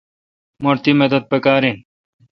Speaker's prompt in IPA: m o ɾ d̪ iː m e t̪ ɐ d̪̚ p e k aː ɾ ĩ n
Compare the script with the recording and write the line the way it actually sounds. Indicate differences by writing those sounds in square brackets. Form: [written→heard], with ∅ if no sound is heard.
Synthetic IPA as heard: m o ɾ [d̪→t̪] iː m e [t̪→d̪] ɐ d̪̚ p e k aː ɾ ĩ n